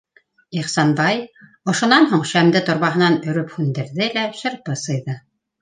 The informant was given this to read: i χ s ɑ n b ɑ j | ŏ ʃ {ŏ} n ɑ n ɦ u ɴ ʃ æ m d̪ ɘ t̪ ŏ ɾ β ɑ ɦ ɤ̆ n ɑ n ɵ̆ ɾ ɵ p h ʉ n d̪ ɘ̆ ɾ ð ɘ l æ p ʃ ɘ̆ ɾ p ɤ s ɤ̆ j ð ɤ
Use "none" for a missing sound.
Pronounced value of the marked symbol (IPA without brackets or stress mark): ŏ